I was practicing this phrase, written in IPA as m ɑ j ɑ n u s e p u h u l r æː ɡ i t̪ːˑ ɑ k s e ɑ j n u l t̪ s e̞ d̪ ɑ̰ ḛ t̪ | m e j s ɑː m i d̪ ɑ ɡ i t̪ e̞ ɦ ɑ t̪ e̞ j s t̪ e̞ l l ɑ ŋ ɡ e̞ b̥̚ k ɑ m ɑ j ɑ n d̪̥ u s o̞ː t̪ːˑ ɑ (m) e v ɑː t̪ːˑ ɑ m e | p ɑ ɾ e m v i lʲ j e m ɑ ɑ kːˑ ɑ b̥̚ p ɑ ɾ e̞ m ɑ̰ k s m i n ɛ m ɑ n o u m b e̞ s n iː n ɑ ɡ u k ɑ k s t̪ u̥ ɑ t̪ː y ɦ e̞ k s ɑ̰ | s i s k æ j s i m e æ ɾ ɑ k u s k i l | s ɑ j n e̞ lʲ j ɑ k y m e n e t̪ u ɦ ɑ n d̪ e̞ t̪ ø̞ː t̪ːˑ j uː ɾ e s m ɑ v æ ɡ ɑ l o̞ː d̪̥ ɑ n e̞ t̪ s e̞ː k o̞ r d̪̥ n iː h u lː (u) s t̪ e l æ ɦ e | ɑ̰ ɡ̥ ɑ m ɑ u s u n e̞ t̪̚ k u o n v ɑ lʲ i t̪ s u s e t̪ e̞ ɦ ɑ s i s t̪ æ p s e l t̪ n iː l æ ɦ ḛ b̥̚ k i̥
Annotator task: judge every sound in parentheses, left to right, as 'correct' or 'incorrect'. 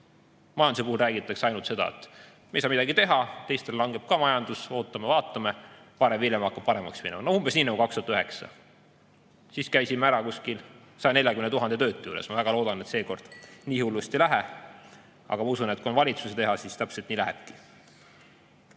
correct, correct

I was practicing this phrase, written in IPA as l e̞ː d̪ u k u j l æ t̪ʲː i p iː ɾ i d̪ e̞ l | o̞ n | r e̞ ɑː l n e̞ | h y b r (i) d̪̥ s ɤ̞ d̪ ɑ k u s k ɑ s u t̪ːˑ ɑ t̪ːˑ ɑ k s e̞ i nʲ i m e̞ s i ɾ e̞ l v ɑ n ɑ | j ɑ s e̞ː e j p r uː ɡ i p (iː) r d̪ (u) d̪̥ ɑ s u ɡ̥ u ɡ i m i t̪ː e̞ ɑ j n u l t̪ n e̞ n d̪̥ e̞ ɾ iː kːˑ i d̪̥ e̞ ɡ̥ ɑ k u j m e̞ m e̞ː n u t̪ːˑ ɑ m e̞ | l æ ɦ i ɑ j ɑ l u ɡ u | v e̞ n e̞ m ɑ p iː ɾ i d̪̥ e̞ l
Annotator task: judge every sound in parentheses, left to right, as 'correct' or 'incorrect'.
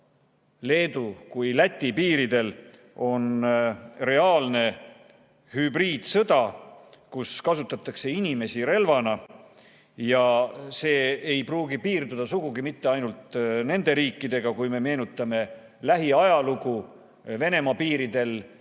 incorrect: iː, correct, correct

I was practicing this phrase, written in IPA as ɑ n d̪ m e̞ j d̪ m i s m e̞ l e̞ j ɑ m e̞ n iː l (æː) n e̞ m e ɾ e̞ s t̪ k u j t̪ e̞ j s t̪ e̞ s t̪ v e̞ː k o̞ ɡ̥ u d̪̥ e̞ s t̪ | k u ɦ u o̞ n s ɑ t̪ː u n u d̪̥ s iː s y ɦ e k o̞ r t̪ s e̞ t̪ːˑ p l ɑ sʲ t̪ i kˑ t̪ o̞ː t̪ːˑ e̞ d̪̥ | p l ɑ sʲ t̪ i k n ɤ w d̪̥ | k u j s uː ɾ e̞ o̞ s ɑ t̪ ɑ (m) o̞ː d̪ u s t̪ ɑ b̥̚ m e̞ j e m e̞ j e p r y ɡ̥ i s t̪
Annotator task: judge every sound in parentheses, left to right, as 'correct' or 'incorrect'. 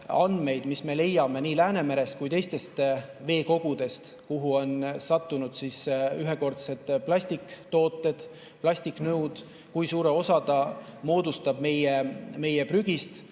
correct, correct

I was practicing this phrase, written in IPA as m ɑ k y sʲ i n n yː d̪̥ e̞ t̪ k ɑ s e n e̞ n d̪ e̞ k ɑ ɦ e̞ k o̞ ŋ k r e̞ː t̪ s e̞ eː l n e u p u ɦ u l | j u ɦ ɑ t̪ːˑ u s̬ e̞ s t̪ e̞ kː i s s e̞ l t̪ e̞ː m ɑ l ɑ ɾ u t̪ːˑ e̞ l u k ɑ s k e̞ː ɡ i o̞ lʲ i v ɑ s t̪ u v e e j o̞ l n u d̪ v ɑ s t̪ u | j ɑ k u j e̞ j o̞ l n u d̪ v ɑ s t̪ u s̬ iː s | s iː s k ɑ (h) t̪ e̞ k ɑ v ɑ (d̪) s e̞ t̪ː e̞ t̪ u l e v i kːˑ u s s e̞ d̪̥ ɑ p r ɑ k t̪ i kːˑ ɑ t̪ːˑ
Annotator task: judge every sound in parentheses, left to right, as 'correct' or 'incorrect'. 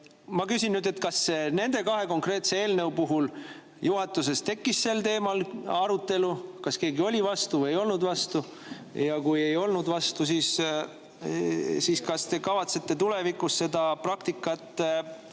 incorrect: s, incorrect: t̪

